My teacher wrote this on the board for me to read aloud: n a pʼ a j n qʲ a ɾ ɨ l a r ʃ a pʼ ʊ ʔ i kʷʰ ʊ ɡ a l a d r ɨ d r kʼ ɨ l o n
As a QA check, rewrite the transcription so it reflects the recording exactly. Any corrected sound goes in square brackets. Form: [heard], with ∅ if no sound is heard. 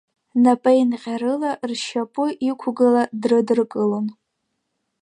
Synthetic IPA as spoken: n a pʼ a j n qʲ a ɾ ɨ l a r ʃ a pʼ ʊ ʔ i kʷʰ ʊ ɡ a l a d r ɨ d r kʼ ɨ l o n